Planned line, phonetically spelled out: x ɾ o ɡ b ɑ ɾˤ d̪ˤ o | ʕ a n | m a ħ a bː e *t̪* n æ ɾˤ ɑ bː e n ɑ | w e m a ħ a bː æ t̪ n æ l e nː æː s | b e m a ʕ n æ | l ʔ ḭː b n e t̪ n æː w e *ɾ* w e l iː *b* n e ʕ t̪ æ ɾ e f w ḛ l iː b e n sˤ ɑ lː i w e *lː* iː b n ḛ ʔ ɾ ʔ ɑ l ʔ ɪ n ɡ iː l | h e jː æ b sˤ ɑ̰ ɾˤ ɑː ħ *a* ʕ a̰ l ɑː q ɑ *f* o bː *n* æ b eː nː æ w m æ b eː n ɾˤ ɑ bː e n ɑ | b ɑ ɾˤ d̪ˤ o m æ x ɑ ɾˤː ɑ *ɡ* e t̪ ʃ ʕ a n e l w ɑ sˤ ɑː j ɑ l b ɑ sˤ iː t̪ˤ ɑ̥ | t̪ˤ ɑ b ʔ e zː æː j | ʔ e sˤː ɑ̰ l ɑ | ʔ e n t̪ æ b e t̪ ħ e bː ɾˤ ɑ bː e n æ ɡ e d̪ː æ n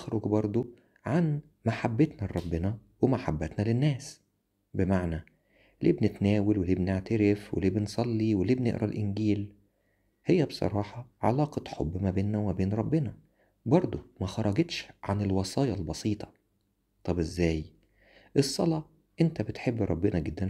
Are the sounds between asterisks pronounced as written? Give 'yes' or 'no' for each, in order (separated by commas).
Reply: yes, no, yes, no, no, no, no, yes